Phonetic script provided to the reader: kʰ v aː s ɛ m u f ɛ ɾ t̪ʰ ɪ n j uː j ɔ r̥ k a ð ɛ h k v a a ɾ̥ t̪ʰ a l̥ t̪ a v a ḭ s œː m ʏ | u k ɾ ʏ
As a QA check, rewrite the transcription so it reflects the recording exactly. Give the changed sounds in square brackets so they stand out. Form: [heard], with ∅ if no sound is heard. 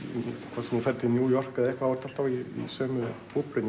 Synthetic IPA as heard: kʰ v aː s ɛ m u f ɛ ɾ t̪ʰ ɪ n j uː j ɔ r̥ k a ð ɛ h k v a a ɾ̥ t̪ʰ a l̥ t̪ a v [i] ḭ s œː m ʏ | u [p] ɾ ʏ